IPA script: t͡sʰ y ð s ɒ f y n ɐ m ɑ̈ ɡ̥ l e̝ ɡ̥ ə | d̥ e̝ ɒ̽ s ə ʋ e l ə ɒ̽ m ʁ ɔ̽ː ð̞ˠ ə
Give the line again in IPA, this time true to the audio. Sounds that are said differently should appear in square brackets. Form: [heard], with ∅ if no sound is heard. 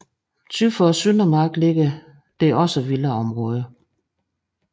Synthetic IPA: t͡sʰ y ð [f] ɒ [s] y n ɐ m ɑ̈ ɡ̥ l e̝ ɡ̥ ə | d̥ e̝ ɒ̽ s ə ʋ [i] l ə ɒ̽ m ʁ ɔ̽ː ð̞ˠ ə